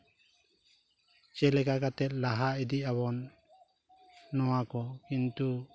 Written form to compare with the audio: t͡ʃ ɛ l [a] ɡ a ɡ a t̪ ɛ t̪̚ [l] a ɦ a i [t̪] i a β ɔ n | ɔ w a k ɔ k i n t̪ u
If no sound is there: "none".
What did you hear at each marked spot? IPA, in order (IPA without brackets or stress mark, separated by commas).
ɛ, l, d̪